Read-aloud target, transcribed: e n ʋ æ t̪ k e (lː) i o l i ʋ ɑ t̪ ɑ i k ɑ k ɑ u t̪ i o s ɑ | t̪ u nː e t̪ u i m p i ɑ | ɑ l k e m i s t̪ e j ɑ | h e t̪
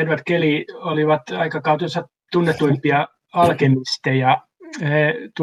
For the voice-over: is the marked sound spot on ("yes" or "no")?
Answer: no